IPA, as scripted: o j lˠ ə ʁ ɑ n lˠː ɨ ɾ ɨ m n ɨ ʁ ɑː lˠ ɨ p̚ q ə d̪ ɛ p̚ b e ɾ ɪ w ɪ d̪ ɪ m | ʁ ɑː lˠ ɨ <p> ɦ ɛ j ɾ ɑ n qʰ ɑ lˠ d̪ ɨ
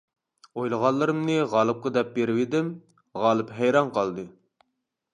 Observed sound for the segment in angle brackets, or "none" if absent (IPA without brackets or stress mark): p